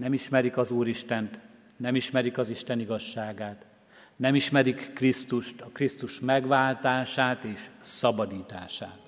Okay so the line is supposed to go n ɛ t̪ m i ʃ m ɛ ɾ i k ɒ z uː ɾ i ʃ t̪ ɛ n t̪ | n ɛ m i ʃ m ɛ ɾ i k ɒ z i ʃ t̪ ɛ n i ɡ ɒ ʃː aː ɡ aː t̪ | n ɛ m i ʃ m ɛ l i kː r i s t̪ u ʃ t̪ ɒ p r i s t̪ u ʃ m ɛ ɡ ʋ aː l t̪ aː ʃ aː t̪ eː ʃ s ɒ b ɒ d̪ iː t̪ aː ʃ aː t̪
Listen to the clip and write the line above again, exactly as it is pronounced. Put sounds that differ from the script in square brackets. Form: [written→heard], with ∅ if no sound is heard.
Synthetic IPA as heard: n ɛ [t̪→∅] m i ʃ m ɛ ɾ i k ɒ z uː ɾ i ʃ t̪ ɛ n t̪ | n ɛ m i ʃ m ɛ ɾ i k ɒ z i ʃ t̪ ɛ n i ɡ ɒ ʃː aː ɡ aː t̪ | n ɛ m i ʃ m ɛ [l→ɾ] i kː r i s t̪ u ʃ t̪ ɒ [p→k] r i s t̪ u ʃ m ɛ ɡ ʋ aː l t̪ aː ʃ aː t̪ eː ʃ s ɒ b ɒ d̪ iː t̪ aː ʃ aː t̪